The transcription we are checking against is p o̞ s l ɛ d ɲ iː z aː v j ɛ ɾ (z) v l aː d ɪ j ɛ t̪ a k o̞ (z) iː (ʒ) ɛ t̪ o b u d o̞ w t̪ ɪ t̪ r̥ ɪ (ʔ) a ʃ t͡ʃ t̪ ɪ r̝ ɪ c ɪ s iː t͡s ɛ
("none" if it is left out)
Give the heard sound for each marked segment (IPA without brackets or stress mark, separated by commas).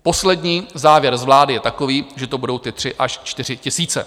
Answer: z, v, ʒ, ʔ